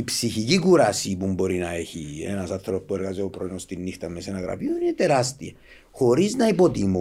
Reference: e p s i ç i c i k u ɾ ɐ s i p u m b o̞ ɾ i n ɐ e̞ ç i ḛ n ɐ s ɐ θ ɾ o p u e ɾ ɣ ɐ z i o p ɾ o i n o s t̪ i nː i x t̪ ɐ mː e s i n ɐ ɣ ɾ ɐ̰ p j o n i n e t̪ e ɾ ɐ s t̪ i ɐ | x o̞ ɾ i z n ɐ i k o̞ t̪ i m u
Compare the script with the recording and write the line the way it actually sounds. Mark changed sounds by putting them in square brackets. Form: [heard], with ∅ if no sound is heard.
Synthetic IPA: [i] p s i ç i c i k u ɾ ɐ s i p u m b o̞ ɾ i n ɐ e̞ ç i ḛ n ɐ s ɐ θ ɾ o p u e ɾ ɣ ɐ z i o p ɾ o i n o s t̪ i nː i x t̪ ɐ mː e s [e] n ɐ ɣ ɾ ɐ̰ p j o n i n e t̪ e ɾ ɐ s t̪ i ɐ | x o̞ ɾ i z n ɐ i [p] o̞ t̪ i m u